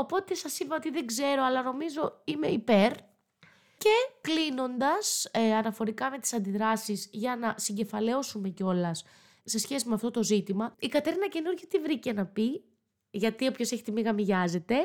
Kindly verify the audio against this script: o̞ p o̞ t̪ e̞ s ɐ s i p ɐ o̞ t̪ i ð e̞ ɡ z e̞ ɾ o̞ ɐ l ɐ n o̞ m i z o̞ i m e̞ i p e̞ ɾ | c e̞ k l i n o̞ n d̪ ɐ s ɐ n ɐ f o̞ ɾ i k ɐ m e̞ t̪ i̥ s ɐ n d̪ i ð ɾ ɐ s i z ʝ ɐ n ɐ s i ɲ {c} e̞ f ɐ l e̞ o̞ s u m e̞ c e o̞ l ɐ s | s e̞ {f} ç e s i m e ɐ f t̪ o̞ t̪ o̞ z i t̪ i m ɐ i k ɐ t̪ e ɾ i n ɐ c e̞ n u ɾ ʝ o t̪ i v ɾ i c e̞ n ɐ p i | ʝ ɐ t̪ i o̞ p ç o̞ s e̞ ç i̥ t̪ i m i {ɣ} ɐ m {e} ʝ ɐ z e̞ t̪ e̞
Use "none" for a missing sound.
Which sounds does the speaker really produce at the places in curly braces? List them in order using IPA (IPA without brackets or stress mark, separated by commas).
ɟ, s, ɣ, i